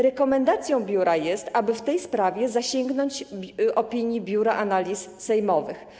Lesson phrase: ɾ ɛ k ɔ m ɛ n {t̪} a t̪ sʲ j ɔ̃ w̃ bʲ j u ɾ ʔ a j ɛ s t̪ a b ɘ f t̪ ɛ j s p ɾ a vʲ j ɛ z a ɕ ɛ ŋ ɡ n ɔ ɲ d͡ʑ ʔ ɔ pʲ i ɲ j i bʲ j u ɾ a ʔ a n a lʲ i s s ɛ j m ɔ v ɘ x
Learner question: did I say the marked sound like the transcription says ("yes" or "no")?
no